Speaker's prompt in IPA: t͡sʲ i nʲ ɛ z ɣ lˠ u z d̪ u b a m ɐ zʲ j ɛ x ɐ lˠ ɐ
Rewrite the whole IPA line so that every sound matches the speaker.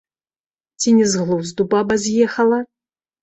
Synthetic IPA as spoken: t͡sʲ i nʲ ɛ z ɣ lˠ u z d̪ u b a b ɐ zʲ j ɛ x ɐ lˠ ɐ